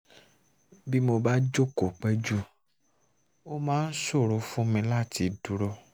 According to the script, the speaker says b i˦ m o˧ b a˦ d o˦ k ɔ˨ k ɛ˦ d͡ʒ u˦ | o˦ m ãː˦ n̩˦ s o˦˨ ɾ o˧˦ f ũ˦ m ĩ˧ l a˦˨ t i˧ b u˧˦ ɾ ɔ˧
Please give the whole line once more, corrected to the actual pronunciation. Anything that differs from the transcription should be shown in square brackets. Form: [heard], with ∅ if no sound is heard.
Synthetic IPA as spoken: b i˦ m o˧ b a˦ [d͡ʒ] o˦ k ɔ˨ [k͡p] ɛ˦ d͡ʒ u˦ | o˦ m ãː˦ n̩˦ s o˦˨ ɾ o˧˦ f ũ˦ m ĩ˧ l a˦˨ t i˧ [d] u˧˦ ɾ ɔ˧

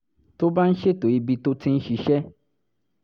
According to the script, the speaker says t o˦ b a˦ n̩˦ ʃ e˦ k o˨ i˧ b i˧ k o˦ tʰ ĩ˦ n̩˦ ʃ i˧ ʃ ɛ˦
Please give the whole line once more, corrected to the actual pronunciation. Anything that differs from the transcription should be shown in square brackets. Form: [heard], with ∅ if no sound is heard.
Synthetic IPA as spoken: t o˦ b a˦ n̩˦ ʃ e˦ [t] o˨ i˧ b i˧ [t] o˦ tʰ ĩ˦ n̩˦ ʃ i˧ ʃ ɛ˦

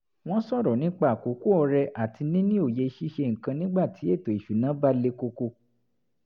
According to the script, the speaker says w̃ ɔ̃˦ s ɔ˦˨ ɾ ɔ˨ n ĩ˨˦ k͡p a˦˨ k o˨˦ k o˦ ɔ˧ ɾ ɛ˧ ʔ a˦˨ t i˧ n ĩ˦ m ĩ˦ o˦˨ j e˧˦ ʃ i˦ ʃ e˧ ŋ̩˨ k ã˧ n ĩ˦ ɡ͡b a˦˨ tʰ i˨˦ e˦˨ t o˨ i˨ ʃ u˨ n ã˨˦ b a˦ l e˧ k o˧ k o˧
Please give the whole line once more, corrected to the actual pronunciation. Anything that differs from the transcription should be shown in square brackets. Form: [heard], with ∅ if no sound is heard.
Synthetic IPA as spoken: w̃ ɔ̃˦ s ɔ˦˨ ɾ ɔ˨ n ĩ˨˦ k͡p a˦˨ k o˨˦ k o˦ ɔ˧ ɾ ɛ˧ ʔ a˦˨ t i˧ n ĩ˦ [n] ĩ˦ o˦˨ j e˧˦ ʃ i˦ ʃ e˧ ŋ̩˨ k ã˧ n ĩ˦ ɡ͡b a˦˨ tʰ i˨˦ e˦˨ t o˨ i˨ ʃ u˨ n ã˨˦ b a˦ l e˧ k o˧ k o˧

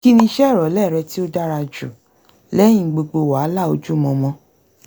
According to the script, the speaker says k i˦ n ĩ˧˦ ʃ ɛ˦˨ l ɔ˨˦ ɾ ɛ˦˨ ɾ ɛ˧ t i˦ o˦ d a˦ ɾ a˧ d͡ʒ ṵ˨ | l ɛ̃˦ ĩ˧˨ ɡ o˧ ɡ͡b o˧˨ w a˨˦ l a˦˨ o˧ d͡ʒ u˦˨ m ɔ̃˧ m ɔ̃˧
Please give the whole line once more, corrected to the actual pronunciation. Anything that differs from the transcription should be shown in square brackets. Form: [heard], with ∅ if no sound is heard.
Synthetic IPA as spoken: k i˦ n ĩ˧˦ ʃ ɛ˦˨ [ɾ] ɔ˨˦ [l] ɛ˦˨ ɾ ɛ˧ t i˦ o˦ d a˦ ɾ a˧ d͡ʒ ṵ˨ | l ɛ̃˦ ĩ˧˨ [ɡ͡b] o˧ ɡ͡b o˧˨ w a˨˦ l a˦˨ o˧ d͡ʒ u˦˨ m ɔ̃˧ m ɔ̃˧

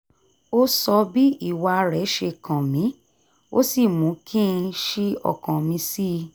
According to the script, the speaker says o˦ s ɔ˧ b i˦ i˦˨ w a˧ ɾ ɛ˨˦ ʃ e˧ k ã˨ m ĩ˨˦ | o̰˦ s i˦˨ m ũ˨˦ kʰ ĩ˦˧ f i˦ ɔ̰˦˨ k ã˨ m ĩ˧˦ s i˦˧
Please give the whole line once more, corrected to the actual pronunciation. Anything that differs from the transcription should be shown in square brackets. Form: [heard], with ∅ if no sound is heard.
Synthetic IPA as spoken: o˦ s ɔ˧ b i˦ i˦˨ w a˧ ɾ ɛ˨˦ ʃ e˧ k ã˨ m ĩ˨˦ | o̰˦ s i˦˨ m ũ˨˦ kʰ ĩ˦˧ [ʃ] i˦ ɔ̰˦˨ k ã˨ m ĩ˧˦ s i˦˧

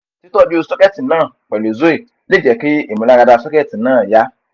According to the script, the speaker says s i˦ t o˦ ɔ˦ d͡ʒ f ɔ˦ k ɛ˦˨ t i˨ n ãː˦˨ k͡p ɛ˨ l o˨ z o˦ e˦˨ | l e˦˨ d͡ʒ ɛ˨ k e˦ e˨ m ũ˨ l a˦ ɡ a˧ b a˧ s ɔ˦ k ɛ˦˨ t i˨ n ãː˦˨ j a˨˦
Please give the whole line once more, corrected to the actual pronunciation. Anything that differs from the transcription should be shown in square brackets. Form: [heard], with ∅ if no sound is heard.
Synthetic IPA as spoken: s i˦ t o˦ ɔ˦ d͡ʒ [s] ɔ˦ k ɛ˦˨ t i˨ n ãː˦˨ k͡p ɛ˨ l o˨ z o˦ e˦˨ | l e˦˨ d͡ʒ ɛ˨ k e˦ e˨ m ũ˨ l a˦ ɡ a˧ [d] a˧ s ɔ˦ k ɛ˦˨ t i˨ n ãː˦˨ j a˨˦

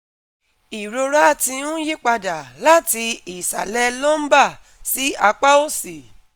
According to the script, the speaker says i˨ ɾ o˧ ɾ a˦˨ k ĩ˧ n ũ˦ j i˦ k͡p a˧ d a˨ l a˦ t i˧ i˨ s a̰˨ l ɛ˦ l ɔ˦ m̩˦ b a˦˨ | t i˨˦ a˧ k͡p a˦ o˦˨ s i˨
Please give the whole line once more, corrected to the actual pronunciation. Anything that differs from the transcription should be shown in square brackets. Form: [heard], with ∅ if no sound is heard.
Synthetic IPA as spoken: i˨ ɾ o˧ ɾ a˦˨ [t] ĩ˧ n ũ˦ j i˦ k͡p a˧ d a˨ l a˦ t i˧ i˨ s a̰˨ l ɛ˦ l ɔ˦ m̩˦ b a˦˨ | [s] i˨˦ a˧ k͡p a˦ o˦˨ s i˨

